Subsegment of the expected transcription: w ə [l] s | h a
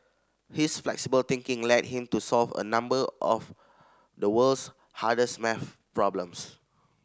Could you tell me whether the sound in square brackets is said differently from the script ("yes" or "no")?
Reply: no